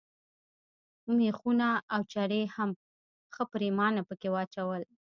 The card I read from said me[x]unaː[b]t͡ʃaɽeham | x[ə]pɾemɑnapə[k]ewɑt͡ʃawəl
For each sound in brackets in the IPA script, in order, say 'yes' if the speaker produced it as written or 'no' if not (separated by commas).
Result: yes, no, yes, yes